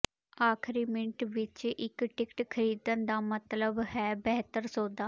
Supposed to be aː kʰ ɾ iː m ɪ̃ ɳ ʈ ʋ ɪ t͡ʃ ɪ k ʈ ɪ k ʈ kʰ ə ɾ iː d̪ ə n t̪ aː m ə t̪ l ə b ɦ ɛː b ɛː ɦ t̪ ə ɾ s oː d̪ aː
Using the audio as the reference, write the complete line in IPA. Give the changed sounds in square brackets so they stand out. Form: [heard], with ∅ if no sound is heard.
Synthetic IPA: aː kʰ ɾ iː m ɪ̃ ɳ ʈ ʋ ɪ t͡ʃ ɪ k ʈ ɪ k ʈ kʰ ə ɾ iː d̪ ə n [d̪] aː m ə t̪ l ə b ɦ ɛː b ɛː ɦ t̪ ə ɾ s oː d̪ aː